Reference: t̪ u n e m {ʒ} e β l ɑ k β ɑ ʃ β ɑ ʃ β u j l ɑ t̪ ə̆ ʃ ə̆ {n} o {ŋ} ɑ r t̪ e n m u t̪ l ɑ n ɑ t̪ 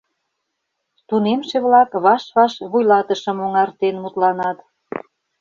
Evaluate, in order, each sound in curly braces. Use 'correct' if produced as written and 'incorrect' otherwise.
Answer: incorrect: ʃ, incorrect: m, correct

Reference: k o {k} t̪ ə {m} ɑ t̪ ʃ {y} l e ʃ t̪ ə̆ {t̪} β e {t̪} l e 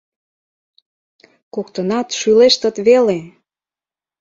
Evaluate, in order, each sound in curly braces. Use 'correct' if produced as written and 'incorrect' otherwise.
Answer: correct, incorrect: n, correct, correct, incorrect: none

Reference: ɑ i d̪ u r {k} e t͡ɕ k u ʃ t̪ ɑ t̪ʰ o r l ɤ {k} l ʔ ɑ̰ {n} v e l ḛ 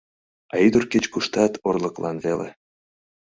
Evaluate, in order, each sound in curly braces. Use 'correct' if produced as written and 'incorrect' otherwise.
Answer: correct, correct, correct

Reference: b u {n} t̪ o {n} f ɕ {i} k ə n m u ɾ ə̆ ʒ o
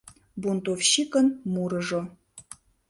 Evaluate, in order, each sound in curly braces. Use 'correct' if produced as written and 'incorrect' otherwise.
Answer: correct, incorrect: none, correct

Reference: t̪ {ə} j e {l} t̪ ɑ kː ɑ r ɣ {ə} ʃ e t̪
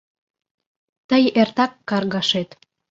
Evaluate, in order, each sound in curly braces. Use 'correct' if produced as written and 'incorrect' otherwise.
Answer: correct, incorrect: r, incorrect: ɑ

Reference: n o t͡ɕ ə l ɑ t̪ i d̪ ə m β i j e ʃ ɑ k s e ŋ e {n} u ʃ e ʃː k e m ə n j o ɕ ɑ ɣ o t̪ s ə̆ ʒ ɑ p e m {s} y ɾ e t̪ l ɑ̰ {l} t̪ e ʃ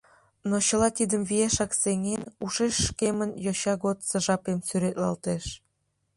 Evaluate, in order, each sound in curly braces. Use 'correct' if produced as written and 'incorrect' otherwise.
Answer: correct, correct, correct

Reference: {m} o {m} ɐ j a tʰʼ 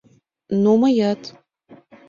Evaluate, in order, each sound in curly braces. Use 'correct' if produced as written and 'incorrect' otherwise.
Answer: incorrect: n, correct

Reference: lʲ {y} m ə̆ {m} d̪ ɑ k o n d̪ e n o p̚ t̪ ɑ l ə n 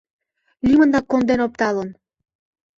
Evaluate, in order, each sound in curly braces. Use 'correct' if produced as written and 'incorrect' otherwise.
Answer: incorrect: i, incorrect: n

